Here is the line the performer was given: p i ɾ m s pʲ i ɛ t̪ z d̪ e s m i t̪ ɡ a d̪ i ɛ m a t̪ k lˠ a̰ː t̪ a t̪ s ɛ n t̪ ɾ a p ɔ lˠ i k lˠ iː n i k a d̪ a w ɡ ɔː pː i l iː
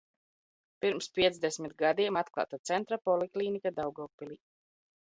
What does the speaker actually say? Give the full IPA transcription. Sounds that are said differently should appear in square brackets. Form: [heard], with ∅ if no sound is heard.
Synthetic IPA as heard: p i ɾ m s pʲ i ɛ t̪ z d̪ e s m i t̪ ɡ a d̪ i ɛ m a t̪ k lˠ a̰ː t̪ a t̪ s ɛ n t̪ ɾ a p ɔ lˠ i k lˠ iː n i k a d̪ a w ɡ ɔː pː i l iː

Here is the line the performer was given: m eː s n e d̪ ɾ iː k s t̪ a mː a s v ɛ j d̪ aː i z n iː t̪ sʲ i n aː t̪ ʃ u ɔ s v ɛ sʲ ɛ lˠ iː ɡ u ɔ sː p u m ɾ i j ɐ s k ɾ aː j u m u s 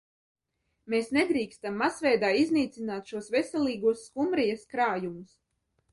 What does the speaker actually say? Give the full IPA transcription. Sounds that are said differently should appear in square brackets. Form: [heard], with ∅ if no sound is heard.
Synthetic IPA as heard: m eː s n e d̪ ɾ iː k s t̪ a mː a s v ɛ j d̪ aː i z n iː t̪ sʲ i n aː t̪ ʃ u ɔ s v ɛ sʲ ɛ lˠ iː ɡ u ɔ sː [k] u m ɾ i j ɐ s k ɾ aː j u m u s

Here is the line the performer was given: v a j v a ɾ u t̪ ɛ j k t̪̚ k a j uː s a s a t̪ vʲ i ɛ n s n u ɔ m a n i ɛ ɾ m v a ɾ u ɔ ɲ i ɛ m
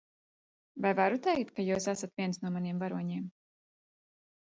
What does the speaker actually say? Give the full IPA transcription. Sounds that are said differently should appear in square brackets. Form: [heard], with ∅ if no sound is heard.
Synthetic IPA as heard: v a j v a ɾ u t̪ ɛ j k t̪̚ k a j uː s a s a t̪ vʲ i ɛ n s n u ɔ m a n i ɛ [∅] m v a ɾ u ɔ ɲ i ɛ m

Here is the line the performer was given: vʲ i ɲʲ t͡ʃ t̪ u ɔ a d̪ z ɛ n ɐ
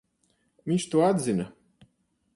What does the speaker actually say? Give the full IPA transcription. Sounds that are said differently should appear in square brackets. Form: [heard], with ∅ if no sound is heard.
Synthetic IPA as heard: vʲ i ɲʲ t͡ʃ t̪ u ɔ a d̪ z [i] n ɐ

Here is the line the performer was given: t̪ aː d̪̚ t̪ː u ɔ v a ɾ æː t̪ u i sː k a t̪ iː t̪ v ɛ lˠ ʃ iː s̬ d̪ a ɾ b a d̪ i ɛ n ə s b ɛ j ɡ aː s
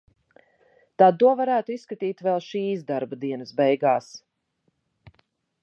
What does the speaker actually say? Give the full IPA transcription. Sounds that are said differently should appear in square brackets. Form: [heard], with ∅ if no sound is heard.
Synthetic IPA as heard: t̪ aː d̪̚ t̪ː u ɔ v a ɾ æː t̪ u i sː k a t̪ iː t̪ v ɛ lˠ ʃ iː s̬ d̪ a ɾ b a d̪ i ɛ n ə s b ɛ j ɡ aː s

